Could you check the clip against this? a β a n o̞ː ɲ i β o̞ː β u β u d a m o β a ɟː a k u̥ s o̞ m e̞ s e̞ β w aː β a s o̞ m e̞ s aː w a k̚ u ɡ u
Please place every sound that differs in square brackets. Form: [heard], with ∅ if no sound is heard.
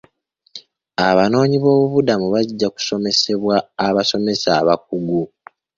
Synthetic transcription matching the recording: a β a n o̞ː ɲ i β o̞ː β u β u d a m [u] β a ɟː a k u̥ s o̞ m e̞ s e̞ β w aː β a s o̞ m e̞ s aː [β] a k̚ u ɡ u